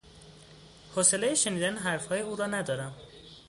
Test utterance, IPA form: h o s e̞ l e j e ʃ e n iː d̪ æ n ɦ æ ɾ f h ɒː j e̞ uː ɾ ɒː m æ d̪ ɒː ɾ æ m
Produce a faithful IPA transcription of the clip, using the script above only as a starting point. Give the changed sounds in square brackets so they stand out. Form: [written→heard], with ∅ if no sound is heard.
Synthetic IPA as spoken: h o s e̞ l e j e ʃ e n iː d̪ æ n ɦ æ ɾ f h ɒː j e̞ uː ɾ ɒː [m→n] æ d̪ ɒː ɾ æ m